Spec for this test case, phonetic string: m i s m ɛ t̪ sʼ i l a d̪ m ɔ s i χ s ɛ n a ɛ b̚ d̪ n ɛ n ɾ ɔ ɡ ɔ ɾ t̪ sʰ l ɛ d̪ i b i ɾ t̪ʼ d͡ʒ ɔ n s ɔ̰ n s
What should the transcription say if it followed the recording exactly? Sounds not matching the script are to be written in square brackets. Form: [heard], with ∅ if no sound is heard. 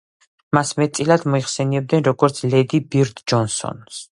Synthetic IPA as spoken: m [a] s m ɛ t̪ sʼ i l a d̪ m ɔ [∅] i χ s ɛ n [i] ɛ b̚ d̪ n ɛ n ɾ ɔ ɡ ɔ ɾ t̪ sʰ l ɛ d̪ i b i ɾ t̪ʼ d͡ʒ ɔ n s ɔ̰ n s